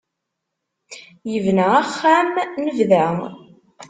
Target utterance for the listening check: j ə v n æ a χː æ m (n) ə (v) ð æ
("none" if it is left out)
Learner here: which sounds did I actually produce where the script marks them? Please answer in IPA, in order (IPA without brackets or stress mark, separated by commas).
n, v